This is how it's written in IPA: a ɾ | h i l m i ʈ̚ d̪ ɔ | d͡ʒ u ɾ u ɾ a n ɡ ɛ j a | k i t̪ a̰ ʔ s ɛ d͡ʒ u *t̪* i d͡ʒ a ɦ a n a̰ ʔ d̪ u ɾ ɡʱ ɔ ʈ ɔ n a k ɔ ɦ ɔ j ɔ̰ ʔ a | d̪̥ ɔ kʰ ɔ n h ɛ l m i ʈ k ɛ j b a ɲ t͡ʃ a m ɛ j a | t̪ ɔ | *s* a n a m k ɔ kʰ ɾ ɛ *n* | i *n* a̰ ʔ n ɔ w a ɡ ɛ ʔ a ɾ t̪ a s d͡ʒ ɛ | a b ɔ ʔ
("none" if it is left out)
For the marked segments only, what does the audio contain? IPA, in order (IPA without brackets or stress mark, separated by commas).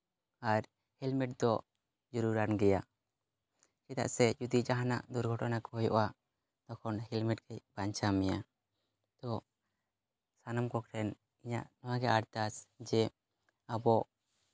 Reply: d̪, s, n, ɲ